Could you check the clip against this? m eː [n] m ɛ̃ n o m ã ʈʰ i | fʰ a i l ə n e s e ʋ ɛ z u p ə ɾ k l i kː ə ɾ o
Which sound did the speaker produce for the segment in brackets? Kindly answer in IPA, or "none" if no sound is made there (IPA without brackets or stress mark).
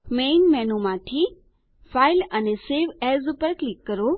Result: n